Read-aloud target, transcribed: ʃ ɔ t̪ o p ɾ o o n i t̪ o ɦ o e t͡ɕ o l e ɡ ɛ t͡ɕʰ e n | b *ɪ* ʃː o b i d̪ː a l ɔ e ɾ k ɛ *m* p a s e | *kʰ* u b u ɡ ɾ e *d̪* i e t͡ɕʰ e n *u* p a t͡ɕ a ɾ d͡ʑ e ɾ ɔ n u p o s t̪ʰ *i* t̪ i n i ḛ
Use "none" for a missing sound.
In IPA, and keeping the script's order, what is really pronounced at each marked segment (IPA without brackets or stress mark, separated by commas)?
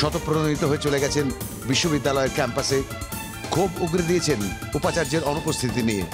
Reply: i, m, kʰ, d̪, u, i